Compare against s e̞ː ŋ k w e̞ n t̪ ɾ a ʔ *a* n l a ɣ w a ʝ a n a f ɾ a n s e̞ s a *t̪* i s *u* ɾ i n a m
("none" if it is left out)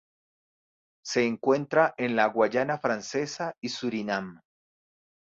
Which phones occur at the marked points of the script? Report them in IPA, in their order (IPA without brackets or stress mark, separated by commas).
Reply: e, none, u